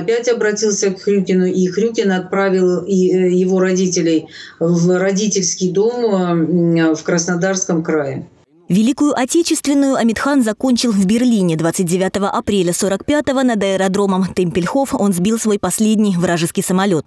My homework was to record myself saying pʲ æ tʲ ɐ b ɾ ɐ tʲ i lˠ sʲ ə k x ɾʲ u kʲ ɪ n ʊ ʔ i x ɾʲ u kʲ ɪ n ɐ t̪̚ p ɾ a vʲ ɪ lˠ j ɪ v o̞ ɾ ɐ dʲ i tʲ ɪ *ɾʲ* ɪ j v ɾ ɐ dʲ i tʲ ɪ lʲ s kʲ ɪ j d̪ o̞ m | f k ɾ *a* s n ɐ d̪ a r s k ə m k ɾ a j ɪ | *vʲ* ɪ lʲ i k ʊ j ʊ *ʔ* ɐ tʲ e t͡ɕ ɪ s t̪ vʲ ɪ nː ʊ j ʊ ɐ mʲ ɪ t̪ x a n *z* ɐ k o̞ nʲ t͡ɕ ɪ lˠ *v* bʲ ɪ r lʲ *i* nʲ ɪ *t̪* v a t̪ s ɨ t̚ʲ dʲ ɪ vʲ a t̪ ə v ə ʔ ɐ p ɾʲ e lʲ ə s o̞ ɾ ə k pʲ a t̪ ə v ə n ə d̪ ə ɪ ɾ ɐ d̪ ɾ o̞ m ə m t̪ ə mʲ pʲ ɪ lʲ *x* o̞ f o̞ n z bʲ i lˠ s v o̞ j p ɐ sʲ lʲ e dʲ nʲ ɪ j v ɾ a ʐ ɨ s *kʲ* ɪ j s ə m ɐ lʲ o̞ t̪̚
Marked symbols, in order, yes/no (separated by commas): no, no, yes, yes, yes, yes, yes, no, yes, yes